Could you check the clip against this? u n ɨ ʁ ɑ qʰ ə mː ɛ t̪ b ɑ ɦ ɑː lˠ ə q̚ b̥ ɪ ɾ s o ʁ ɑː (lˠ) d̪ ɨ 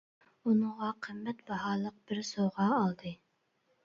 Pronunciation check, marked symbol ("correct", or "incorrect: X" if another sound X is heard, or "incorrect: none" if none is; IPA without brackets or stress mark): correct